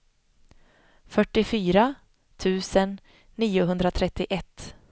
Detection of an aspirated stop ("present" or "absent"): present